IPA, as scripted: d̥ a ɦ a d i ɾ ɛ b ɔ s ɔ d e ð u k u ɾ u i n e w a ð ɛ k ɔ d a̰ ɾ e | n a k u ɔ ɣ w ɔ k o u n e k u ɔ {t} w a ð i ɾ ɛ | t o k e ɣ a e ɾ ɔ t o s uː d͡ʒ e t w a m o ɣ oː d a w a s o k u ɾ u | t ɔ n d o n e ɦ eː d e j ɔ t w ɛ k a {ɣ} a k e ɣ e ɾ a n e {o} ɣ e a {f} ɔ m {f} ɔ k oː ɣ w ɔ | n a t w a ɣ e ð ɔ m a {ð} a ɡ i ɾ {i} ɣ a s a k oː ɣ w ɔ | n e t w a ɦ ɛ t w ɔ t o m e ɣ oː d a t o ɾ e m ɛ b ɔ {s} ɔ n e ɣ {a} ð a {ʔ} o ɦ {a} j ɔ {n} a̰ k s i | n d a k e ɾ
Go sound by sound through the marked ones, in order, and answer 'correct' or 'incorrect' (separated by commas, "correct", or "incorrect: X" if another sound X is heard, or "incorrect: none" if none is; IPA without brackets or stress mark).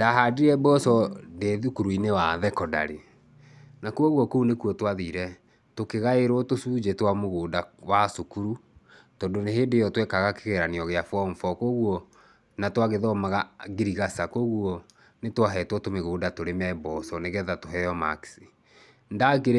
correct, correct, incorrect: ɔ, correct, correct, incorrect: ɣ, correct, correct, incorrect: ɛ, incorrect: t, incorrect: ɛ, incorrect: m